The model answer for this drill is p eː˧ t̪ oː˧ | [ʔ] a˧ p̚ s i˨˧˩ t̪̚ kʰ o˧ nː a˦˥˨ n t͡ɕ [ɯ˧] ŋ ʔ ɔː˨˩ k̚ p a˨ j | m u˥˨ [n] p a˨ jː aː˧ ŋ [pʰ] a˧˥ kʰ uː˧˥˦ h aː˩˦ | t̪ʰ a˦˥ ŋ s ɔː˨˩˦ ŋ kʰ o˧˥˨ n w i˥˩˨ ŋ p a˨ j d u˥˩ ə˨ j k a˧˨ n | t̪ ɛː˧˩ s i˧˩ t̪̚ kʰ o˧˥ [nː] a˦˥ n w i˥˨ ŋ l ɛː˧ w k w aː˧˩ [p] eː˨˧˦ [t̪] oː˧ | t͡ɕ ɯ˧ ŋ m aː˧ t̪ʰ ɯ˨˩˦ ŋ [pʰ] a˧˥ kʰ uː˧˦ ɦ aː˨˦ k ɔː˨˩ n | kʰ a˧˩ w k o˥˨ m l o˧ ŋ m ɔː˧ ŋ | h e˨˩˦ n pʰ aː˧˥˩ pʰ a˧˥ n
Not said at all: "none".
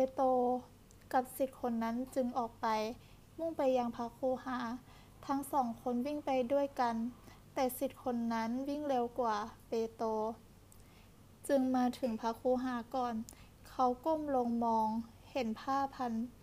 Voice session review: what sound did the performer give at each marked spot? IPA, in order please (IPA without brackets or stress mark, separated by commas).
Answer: k, ɯ˧, ŋ, pʰ, nː, p, t̪, pʰ